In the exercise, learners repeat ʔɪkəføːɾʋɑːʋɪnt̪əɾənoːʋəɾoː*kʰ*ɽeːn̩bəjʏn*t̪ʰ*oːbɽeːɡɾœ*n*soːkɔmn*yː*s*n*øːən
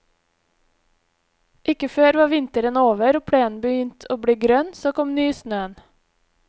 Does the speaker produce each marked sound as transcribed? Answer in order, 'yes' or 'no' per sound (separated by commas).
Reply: no, yes, yes, yes, yes